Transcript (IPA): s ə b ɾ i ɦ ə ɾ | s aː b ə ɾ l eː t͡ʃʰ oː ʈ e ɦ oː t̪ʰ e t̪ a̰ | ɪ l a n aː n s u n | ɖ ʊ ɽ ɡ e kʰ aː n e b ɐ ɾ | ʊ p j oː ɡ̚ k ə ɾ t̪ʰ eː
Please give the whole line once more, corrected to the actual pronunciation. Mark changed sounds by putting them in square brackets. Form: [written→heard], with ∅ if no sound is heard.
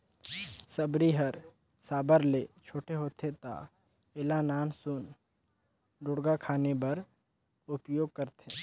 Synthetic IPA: s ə b ɾ i ɦ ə ɾ | s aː b ə ɾ l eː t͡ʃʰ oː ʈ e ɦ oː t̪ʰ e t̪ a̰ | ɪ l a n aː n s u n | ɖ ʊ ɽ ɡ [e→a] kʰ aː n e b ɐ ɾ | ʊ p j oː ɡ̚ k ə ɾ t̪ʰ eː